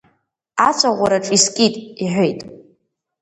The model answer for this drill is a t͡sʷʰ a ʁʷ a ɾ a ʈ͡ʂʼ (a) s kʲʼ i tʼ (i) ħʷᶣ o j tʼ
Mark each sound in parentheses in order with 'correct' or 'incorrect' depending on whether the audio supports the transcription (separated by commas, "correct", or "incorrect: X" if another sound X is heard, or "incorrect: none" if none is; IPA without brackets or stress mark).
incorrect: i, correct